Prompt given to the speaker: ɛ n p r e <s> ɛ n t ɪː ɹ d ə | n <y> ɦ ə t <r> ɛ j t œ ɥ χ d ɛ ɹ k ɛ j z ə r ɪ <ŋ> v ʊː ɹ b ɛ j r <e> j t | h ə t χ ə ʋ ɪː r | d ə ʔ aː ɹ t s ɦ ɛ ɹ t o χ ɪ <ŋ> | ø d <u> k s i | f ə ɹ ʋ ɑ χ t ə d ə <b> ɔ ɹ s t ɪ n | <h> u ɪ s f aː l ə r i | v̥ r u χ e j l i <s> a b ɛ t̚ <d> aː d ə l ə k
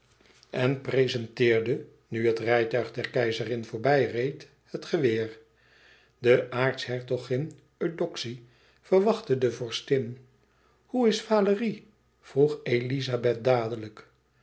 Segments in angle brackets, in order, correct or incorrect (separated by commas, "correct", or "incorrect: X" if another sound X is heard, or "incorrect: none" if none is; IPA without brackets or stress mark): incorrect: z, correct, correct, incorrect: n, correct, incorrect: n, incorrect: ɔ, incorrect: v, correct, incorrect: z, correct